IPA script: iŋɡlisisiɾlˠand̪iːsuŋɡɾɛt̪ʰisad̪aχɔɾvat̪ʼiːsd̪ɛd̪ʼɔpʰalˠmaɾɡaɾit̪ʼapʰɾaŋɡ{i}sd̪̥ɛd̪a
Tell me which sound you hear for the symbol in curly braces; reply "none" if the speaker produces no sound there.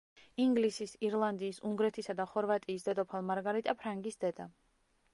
i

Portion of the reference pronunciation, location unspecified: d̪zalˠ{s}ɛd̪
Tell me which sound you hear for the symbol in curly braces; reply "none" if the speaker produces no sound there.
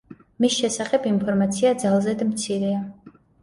z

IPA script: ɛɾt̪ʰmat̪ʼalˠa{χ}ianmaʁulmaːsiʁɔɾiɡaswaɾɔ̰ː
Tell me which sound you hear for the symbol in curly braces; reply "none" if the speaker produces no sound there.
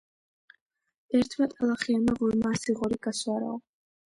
χ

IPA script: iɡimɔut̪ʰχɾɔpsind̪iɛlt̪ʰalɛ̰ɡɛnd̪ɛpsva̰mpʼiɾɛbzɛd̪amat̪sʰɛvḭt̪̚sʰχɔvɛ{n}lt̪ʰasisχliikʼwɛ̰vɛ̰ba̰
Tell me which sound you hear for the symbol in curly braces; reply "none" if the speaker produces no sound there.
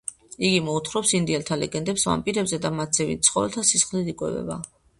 none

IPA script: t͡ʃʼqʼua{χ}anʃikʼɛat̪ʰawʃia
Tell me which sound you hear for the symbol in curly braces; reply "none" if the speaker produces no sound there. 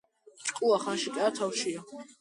χ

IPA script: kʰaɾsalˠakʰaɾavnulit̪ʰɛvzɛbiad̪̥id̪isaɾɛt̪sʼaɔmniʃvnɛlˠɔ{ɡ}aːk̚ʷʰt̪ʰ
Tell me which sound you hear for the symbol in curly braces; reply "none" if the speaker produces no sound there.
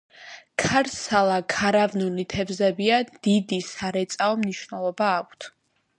b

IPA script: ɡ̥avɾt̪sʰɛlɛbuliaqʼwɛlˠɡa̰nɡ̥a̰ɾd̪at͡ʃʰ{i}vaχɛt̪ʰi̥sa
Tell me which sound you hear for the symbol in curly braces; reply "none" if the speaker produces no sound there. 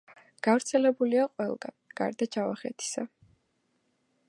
a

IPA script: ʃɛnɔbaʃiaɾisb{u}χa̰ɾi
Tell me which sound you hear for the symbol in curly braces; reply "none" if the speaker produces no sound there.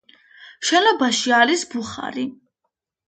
u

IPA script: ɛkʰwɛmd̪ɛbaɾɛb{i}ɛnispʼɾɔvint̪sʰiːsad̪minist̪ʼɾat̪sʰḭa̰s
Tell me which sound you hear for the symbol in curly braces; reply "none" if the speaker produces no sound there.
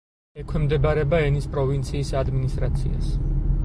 a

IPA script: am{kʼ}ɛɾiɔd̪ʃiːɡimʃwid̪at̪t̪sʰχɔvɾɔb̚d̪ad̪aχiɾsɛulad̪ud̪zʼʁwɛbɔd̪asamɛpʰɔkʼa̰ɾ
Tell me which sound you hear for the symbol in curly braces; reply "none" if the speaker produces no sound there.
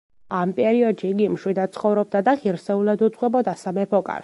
pʼ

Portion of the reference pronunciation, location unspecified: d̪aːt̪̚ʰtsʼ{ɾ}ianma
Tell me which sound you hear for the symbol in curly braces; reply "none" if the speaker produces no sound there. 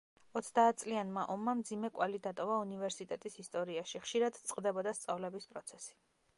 l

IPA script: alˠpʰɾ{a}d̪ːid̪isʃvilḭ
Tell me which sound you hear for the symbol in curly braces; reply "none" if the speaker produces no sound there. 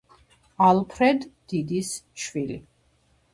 ɛ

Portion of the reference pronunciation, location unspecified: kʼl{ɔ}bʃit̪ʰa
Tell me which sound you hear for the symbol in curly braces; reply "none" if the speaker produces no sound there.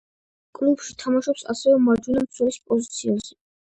u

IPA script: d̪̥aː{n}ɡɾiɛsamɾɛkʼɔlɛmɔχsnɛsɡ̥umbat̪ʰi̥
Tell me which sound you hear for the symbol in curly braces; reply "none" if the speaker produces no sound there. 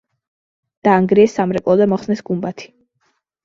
ŋ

